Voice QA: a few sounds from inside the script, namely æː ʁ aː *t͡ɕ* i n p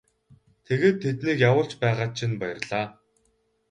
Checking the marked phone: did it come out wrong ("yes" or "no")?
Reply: yes